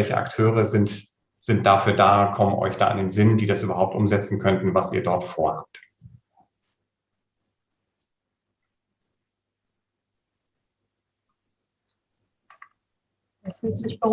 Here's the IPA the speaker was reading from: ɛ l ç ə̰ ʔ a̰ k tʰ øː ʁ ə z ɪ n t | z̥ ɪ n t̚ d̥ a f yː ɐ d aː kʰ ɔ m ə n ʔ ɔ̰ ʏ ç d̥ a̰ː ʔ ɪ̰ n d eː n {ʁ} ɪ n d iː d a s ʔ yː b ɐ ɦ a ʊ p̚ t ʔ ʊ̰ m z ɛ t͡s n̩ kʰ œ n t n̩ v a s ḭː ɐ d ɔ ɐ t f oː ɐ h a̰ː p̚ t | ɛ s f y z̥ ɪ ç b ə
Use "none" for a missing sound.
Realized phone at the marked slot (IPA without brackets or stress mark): z